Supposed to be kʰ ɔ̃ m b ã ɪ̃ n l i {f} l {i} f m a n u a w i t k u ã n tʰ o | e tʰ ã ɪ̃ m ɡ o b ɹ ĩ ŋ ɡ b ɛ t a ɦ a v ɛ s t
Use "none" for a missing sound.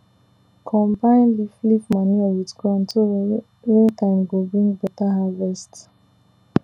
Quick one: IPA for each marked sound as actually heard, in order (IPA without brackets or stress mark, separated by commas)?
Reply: f, i